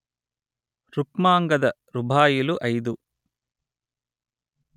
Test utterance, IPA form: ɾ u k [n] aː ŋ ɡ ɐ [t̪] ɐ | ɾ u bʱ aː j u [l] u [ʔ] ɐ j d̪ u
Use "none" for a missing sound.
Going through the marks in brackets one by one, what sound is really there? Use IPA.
m, d̪, l, ʔ

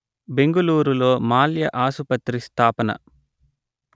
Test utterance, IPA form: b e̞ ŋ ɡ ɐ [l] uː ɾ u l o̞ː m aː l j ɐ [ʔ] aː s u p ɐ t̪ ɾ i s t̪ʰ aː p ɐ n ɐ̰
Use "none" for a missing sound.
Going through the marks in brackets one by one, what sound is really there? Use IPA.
l, ʔ

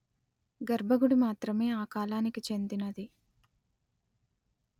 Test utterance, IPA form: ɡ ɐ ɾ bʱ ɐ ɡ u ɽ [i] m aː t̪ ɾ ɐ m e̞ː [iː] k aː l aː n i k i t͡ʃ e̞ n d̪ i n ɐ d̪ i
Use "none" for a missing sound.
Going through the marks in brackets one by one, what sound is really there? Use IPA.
i, aː

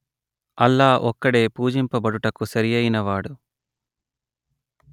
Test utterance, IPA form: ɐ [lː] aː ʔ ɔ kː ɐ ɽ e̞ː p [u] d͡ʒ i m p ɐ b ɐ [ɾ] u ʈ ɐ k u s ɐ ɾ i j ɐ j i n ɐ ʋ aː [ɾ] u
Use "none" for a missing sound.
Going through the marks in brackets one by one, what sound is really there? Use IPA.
lː, uː, ɽ, ɽ

